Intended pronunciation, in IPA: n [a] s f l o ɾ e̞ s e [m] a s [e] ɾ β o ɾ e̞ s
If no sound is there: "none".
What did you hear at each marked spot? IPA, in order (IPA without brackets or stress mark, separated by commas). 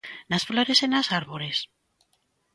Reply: a, n, a